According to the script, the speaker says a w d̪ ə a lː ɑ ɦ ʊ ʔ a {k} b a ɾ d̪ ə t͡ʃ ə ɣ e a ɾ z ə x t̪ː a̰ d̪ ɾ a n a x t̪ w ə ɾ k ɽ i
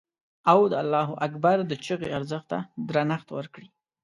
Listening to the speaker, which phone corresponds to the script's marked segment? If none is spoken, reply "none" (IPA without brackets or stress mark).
k